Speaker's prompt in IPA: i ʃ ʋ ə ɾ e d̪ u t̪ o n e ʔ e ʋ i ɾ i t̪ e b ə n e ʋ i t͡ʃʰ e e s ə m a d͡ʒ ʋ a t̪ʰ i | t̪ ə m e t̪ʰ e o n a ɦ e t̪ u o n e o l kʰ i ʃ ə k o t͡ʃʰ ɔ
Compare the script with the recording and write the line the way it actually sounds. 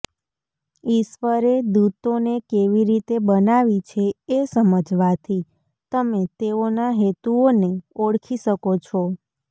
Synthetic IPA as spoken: i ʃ ʋ ə ɾ e d̪ u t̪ o n e k e ʋ i ɾ i t̪ e b ə n a ʋ i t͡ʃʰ e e s ə m ə d͡ʒ ʋ a t̪ʰ i | t̪ ə m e t̪ e o n a ɦ e t̪ u o n e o ɽ kʰ i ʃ ə k o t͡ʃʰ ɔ